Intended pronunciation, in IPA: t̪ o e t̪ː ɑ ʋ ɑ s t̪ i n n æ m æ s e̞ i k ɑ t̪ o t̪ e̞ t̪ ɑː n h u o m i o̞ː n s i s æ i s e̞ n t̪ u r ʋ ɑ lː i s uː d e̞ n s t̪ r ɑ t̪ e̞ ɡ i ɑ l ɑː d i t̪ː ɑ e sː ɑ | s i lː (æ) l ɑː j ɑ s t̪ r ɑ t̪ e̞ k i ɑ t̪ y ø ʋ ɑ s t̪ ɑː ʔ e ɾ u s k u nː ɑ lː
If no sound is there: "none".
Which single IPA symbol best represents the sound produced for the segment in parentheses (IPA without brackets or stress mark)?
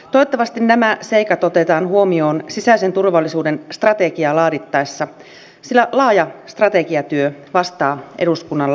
æ